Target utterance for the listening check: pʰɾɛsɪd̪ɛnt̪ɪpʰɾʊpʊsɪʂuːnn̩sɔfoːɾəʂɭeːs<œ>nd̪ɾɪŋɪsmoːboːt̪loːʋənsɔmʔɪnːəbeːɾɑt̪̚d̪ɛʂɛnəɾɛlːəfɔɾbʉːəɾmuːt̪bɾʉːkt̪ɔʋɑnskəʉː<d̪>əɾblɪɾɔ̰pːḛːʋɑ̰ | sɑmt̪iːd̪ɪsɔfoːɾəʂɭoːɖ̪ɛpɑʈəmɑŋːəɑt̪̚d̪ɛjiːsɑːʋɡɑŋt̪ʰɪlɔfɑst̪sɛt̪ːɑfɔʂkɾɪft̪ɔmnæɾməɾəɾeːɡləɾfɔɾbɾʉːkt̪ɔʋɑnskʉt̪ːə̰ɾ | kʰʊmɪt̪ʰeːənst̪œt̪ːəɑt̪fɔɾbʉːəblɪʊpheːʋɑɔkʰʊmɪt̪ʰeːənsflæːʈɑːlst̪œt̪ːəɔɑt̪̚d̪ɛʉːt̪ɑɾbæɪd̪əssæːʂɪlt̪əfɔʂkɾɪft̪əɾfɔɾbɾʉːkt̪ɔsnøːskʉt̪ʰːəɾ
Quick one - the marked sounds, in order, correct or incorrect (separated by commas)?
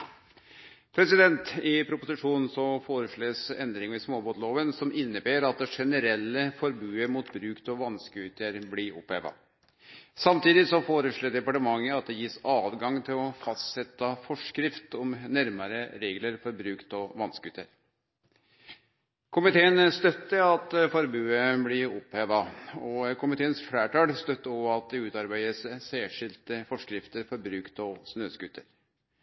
incorrect, incorrect